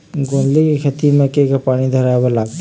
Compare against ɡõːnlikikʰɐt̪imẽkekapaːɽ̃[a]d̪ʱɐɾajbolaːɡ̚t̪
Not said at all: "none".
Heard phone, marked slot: i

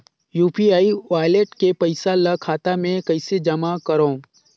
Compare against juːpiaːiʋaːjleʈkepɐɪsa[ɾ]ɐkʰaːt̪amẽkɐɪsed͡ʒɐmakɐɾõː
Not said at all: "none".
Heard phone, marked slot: l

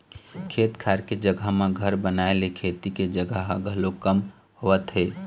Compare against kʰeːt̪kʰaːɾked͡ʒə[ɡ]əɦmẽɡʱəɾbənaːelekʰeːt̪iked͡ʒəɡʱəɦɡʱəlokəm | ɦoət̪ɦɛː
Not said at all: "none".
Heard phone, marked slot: ɡ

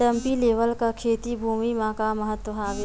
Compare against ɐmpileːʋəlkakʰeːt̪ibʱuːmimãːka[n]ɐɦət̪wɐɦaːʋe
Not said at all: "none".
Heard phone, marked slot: m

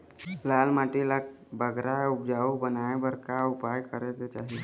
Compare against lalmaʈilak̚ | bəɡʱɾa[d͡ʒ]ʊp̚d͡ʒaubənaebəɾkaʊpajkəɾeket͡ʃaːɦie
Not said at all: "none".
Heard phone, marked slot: none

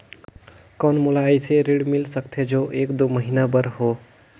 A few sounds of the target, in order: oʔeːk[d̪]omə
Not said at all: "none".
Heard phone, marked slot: d̪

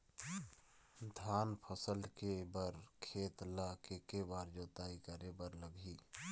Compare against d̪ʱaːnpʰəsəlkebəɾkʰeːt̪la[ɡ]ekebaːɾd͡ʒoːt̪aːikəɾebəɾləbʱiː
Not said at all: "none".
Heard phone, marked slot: k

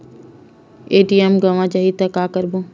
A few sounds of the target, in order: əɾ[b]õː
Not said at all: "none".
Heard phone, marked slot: b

